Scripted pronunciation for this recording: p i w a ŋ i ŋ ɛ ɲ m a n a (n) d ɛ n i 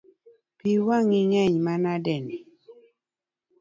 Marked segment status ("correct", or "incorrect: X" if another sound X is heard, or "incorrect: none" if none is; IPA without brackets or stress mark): incorrect: none